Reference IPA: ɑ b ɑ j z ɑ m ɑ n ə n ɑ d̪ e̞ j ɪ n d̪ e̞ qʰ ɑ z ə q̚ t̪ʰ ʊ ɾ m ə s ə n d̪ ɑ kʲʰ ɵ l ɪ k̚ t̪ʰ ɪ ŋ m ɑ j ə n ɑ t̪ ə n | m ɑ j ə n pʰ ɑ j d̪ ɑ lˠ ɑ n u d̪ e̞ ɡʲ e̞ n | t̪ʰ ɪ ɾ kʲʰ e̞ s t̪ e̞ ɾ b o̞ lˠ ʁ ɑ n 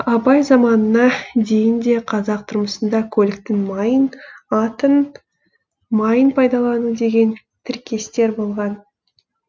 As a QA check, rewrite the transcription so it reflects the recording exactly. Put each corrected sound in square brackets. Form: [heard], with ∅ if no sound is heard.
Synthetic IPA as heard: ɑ b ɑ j z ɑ m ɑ n ə n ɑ d̪ e̞ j ɪ n d̪ e̞ qʰ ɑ z [ɑ] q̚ t̪ʰ ʊ ɾ m ə s ə n d̪ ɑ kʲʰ ɵ l ɪ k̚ [t̪] ɪ ŋ m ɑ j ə n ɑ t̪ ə n | m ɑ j ə n pʰ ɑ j d̪ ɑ lˠ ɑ n u d̪ e̞ ɡʲ e̞ n | t̪ʰ ɪ ɾ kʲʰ e̞ s t̪ e̞ ɾ b o̞ lˠ ʁ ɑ n